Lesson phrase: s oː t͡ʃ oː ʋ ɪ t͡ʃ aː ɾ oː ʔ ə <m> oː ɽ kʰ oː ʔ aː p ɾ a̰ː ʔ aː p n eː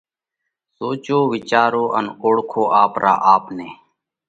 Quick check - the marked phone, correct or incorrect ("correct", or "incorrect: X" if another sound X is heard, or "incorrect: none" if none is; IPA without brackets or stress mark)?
incorrect: n